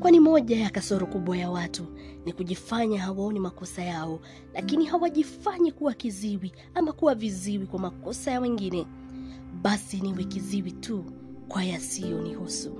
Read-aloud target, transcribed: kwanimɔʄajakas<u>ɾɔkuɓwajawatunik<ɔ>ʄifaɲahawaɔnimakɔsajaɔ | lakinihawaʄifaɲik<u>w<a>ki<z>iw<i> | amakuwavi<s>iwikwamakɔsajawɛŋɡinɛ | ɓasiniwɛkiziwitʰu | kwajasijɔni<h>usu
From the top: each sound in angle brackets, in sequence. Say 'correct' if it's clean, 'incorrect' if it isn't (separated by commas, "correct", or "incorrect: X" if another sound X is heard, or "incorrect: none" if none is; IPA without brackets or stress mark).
incorrect: ɔ, incorrect: u, correct, correct, correct, correct, incorrect: z, correct